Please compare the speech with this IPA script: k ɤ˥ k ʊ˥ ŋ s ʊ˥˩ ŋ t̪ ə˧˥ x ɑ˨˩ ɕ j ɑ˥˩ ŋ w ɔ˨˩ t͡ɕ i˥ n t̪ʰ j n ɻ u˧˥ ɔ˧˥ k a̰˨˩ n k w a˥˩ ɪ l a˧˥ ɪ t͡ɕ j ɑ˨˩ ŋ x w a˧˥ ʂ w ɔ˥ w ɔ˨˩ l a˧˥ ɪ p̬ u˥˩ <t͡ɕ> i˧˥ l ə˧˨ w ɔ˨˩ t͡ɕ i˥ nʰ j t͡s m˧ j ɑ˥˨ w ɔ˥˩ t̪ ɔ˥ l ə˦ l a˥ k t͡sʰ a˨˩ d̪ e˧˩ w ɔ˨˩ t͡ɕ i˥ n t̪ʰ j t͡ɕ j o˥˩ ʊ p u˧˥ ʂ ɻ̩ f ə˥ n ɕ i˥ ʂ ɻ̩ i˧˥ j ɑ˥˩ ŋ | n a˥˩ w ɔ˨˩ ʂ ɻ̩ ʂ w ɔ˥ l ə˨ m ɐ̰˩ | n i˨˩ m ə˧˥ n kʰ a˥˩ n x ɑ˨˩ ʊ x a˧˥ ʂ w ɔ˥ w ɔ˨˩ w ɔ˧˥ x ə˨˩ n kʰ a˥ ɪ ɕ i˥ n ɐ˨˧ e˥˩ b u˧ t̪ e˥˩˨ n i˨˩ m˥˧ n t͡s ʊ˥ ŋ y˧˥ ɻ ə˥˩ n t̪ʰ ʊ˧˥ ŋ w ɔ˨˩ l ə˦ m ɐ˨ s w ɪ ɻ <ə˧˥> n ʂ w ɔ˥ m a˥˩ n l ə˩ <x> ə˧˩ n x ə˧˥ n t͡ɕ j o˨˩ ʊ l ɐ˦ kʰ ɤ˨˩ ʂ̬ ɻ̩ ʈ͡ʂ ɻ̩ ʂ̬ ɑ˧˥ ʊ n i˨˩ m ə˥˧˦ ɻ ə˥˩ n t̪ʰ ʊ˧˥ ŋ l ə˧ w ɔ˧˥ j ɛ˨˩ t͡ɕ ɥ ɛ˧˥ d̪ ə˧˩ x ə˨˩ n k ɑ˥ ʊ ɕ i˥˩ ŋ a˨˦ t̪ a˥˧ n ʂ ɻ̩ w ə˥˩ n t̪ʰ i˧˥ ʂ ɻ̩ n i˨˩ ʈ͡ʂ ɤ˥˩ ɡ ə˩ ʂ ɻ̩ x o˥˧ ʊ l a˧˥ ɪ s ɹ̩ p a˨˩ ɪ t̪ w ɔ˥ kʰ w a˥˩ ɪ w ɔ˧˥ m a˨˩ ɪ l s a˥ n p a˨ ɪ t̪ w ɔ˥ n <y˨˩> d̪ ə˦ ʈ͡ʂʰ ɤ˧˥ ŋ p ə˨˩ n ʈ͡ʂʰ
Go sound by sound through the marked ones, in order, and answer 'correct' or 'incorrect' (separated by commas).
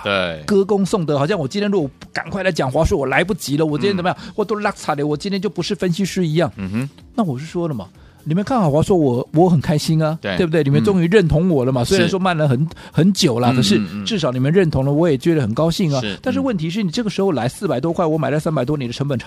correct, incorrect, correct, incorrect